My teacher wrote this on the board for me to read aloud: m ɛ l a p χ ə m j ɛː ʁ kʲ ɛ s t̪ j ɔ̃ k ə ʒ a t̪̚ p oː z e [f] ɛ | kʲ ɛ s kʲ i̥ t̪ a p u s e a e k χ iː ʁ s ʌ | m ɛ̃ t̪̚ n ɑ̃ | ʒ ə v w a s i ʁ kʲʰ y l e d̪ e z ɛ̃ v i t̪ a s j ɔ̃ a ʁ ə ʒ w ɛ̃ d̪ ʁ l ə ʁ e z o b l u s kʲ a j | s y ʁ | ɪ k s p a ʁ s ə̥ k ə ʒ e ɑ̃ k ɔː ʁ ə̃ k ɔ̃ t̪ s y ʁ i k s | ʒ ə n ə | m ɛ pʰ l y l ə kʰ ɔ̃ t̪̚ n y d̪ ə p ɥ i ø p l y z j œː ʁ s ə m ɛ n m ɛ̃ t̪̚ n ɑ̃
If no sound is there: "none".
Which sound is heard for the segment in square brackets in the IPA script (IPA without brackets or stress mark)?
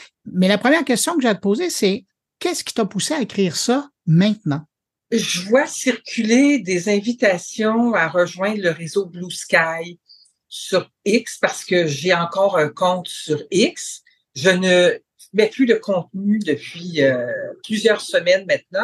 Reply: s